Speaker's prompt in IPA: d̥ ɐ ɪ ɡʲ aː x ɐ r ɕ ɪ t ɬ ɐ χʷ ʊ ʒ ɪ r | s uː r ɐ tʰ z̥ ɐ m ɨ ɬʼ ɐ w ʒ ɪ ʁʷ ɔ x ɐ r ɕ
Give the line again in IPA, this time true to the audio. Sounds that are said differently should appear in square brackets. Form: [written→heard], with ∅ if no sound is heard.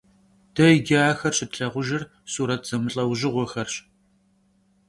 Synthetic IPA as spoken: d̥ ɐ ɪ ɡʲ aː x ɐ r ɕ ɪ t ɬ ɐ [χʷ→ʁʷ] ʊ ʒ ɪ r | s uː [r→ɾ] ɐ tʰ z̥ ɐ m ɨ ɬʼ ɐ w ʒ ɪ ʁʷ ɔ x ɐ r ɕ

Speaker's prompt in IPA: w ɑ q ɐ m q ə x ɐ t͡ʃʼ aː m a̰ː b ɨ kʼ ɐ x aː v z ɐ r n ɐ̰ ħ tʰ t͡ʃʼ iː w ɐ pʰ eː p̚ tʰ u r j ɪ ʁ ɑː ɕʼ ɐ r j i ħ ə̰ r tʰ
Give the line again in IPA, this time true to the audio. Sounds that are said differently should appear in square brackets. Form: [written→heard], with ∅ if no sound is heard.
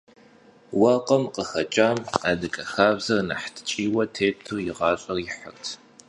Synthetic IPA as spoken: w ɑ q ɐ m q ə x ɐ t͡ʃʼ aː m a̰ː [b→d] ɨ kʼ ɐ x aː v z ɐ r n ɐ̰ ħ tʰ t͡ʃʼ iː w ɐ [pʰ→tʰ] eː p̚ tʰ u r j ɪ ʁ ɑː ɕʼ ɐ r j [i→ɪ] ħ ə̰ r tʰ

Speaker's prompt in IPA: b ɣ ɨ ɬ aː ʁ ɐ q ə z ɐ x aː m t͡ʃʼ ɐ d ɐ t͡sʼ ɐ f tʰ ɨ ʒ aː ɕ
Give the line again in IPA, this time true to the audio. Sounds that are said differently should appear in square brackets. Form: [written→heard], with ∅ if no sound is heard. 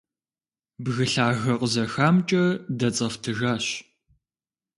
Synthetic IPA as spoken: b ɣ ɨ ɬ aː [ʁ→ɣ] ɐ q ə z ɐ x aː m t͡ʃʼ ɐ d ɐ t͡sʼ ɐ f tʰ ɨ ʒ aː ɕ

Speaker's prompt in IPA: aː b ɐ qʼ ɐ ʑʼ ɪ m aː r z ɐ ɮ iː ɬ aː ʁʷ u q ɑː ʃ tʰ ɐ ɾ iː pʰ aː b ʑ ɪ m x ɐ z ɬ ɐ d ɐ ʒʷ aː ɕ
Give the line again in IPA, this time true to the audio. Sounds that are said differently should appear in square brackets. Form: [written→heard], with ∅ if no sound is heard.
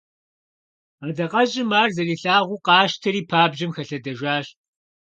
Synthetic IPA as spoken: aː [b→d] ɐ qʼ ɐ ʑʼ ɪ m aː r z ɐ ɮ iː ɬ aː ʁʷ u q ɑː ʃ tʰ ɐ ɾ iː pʰ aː b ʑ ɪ m x ɐ [z→∅] ɬ ɐ d ɐ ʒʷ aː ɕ

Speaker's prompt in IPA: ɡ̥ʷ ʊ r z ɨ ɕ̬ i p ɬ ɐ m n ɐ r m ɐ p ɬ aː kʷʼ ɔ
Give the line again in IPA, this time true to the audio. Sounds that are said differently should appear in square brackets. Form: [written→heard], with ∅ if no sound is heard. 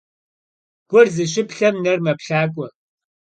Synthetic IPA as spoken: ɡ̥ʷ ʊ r z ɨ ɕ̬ [i→ɪ] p ɬ ɐ m n ɐ r m ɐ p ɬ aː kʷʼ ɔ

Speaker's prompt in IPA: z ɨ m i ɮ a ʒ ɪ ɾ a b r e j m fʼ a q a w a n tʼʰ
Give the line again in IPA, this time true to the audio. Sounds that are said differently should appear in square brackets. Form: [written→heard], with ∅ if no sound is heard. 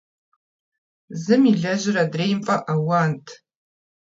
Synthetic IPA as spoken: z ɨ m i ɮ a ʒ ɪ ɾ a [b→d] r e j m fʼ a [q→ʔ] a w a n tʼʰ

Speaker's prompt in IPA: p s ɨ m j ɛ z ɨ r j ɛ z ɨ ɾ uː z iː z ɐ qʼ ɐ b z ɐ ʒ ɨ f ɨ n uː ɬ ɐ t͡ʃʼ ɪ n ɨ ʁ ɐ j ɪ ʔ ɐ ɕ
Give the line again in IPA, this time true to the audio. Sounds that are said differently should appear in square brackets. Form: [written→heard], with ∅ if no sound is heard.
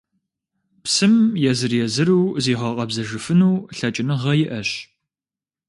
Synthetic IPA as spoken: p s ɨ m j ɛ z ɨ r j ɛ z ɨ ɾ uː z iː [z→ʁ] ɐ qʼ ɐ b z ɐ ʒ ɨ f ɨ n uː ɬ ɐ t͡ʃʼ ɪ n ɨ ʁ ɐ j ɪ ʔ ɐ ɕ

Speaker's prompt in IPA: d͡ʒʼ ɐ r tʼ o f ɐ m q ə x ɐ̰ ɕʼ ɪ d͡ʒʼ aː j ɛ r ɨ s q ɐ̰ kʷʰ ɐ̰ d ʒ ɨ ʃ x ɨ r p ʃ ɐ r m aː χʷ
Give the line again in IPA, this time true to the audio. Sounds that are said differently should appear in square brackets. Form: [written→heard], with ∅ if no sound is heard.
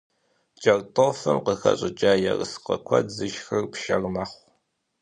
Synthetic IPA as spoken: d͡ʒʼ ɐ r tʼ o f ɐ m q ə x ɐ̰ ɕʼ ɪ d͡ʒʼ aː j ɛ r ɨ s q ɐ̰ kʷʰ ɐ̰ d [ʒ→z] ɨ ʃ x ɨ r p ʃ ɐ r m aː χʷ

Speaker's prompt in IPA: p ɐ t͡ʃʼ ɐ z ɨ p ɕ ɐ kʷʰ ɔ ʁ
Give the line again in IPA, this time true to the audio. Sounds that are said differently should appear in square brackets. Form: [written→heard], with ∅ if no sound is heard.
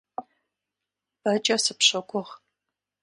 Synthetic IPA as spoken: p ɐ t͡ʃʼ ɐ [z→s] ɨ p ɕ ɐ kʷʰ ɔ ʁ

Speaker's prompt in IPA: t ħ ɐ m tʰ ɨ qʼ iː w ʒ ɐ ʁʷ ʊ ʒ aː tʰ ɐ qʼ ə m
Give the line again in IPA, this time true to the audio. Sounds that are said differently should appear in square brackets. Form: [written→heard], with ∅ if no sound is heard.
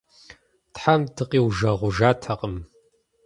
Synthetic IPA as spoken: t ħ [ɐ→a] m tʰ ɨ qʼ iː w ʒ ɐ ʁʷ ʊ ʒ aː tʰ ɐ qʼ ə m

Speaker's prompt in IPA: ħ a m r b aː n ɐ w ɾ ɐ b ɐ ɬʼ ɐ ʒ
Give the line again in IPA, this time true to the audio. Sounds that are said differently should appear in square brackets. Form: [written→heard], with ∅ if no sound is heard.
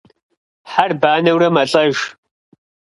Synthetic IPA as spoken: ħ a [m→∅] r b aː n ɐ w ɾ ɐ [b→m] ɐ ɬʼ ɐ ʒ

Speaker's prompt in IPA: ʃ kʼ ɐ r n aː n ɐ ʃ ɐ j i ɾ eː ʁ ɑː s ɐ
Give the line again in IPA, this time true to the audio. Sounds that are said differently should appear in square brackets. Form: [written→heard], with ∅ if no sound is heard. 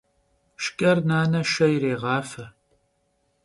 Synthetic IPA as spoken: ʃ kʼ ɐ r n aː n ɐ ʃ ɐ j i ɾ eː ʁ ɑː [s→f] ɐ

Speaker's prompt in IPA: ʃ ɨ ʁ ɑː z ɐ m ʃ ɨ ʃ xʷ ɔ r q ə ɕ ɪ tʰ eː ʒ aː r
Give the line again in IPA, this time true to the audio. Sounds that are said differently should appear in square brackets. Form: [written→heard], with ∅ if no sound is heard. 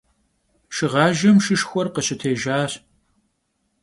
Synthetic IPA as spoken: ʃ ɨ ʁ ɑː [z→ʒ] ɐ m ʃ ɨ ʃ xʷ ɔ r q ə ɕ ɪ tʰ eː ʒ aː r

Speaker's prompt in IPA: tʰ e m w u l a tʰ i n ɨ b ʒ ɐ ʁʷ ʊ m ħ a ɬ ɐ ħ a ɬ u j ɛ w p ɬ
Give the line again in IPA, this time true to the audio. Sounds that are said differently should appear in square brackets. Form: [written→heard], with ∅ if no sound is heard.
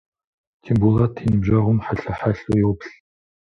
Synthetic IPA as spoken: tʰ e m [w→b] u l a tʰ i n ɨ b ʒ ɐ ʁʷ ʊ m ħ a ɬ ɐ ħ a ɬ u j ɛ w p ɬ

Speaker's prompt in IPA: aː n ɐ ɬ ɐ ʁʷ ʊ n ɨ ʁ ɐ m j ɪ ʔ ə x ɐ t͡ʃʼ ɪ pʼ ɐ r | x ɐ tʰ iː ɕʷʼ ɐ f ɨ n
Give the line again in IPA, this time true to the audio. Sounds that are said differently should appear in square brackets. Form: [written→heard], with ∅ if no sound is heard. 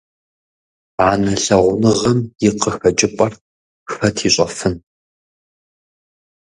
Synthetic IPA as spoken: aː n ɐ ɬ ɐ ʁʷ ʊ n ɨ ʁ ɐ m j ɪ [ʔ→q] ə x ɐ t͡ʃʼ ɪ pʼ ɐ r | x ɐ tʰ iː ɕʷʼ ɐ f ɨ n

